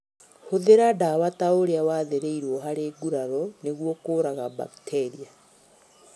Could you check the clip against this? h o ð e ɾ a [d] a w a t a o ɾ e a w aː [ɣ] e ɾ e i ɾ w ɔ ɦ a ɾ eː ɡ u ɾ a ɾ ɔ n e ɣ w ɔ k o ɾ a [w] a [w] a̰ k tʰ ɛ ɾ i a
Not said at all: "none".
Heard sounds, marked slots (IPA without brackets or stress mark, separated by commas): d, ð, ɣ, b